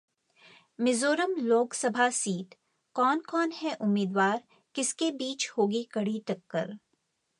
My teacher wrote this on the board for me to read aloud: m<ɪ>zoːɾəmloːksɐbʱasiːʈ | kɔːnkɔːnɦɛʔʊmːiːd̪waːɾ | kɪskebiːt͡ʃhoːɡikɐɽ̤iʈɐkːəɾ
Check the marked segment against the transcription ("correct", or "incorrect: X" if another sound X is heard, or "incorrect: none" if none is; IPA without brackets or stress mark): correct